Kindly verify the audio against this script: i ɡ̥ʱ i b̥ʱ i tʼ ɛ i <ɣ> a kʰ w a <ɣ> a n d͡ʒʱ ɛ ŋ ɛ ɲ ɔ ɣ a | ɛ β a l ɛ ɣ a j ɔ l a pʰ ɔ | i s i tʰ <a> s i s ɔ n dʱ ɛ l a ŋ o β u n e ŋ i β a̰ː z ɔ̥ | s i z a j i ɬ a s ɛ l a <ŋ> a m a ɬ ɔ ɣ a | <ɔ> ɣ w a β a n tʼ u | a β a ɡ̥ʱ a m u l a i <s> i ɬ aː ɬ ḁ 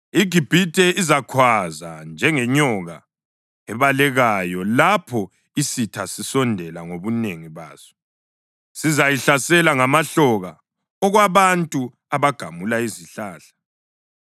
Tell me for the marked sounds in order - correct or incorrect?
incorrect, incorrect, correct, correct, correct, incorrect

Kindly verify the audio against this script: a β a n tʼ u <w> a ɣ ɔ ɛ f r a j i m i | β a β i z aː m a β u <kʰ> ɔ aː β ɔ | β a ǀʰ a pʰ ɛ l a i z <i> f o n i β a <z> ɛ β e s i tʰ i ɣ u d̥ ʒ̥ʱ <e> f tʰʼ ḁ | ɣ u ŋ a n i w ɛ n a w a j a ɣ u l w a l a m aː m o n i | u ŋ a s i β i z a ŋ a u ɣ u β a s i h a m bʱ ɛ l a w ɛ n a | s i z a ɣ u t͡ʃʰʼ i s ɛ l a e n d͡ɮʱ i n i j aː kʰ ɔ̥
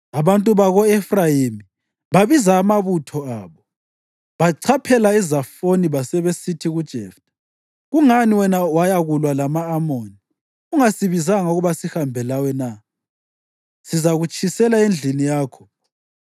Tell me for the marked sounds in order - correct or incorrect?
incorrect, incorrect, incorrect, incorrect, incorrect

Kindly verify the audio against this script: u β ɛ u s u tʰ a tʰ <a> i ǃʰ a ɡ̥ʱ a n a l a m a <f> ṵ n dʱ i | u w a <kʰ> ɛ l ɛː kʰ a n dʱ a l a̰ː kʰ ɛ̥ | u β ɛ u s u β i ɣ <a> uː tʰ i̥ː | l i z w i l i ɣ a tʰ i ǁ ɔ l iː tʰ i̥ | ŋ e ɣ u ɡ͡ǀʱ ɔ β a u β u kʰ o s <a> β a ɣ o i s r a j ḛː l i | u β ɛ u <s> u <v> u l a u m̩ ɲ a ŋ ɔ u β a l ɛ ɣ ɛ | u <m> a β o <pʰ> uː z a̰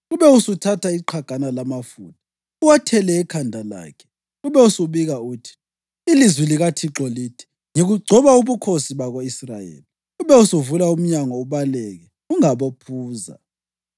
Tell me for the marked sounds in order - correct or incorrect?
correct, correct, incorrect, correct, incorrect, correct, correct, incorrect, correct

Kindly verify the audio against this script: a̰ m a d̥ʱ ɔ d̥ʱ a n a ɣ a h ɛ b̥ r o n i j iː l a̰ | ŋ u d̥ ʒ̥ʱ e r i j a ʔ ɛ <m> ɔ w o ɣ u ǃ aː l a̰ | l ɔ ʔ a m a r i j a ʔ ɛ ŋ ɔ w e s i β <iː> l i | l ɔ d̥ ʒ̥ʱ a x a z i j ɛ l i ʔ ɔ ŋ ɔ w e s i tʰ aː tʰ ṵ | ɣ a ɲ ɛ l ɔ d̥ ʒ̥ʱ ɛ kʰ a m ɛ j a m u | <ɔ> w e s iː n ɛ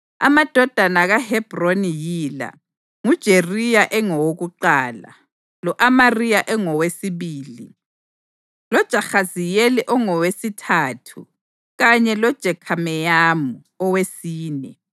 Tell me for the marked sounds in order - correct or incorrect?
incorrect, correct, correct

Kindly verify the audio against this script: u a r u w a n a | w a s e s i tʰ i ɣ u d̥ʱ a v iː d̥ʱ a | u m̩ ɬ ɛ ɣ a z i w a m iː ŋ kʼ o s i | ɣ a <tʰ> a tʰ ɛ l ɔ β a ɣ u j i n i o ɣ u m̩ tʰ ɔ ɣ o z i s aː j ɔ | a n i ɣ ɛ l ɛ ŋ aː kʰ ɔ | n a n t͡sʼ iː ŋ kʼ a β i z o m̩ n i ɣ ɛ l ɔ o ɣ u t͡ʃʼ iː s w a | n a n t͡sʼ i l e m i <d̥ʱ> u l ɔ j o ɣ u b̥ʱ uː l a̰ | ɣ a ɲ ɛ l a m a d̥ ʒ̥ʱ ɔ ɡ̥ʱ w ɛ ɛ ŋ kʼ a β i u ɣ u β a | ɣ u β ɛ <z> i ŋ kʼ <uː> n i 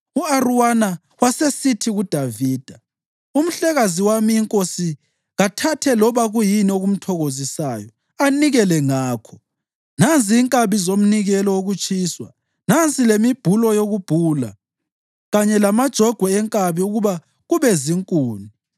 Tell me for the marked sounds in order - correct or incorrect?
correct, incorrect, correct, correct

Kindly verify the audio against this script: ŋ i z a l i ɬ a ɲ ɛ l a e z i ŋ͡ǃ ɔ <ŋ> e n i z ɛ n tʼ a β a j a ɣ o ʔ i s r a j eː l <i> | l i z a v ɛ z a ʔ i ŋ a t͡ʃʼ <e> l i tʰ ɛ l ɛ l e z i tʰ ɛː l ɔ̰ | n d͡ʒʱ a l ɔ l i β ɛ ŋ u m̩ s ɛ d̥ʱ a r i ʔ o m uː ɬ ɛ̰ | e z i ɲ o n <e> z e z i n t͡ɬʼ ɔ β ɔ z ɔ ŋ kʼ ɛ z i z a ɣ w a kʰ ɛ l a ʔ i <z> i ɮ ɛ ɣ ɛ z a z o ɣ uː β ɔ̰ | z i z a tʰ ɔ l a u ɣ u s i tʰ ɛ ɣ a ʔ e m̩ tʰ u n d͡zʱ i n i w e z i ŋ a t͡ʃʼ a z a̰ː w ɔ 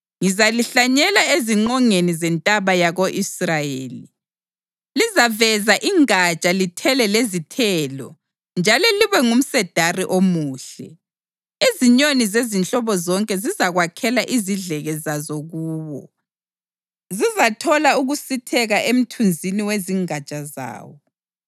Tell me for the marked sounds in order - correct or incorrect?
correct, correct, incorrect, incorrect, correct

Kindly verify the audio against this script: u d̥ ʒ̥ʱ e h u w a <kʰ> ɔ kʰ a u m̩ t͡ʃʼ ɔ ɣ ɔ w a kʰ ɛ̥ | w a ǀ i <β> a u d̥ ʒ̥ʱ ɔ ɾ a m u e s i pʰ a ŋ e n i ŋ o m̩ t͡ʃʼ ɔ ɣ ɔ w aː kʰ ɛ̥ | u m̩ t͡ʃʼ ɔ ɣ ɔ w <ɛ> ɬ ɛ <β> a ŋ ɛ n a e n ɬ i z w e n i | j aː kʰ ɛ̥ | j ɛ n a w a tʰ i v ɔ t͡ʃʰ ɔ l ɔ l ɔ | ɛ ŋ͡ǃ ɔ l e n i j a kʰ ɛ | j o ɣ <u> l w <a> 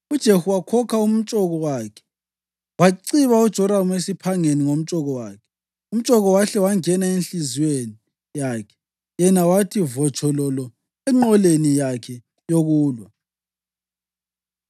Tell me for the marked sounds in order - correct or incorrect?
correct, correct, incorrect, incorrect, incorrect, correct

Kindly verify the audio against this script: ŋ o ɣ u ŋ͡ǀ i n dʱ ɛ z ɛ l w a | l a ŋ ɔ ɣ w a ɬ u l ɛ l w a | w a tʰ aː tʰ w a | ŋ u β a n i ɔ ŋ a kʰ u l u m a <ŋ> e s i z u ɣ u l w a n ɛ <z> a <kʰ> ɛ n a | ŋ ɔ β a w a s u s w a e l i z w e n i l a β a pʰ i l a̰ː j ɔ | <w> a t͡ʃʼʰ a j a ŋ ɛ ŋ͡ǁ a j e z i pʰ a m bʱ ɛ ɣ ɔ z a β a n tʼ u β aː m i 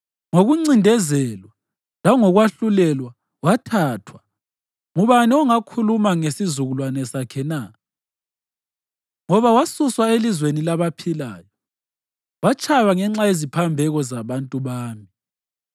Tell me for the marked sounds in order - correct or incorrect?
correct, incorrect, correct, correct

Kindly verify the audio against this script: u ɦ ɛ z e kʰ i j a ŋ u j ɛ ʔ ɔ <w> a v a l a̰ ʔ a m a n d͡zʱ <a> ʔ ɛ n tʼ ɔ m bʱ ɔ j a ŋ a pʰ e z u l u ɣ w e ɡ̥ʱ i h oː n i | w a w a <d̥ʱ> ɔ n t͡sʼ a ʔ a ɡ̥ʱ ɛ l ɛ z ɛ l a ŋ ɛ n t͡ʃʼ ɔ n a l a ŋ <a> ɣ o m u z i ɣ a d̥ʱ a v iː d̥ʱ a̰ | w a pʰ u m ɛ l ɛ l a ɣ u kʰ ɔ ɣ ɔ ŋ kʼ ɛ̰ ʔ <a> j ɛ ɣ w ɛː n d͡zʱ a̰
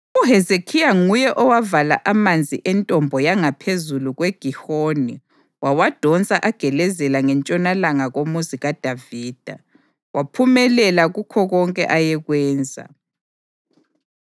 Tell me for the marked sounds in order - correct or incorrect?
correct, incorrect, correct, correct, correct

